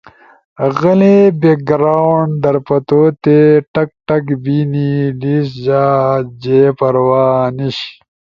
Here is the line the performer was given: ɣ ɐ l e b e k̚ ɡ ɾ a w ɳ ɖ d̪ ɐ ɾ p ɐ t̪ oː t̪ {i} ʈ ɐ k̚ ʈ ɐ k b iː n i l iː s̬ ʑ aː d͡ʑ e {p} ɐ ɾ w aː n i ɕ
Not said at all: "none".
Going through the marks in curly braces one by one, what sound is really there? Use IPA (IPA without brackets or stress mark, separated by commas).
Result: e, p